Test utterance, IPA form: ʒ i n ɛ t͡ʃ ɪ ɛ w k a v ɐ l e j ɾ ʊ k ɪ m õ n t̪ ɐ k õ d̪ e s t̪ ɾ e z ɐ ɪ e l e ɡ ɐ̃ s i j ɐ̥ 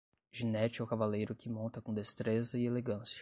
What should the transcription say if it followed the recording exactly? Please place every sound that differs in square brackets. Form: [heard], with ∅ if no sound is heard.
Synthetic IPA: ʒ i n ɛ t͡ʃ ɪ ɛ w k a v [a] l e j ɾ ʊ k ɪ m õ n t̪ ɐ k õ d̪ e s t̪ ɾ e z ɐ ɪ e l e ɡ ɐ̃ s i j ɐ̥